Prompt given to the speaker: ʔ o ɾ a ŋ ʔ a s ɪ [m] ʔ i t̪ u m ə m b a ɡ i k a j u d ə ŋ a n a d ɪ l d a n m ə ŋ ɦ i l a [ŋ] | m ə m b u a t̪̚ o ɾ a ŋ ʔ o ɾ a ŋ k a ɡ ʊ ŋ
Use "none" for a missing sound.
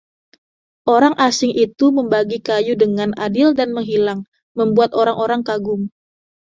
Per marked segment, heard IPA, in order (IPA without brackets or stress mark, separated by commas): ŋ, ŋ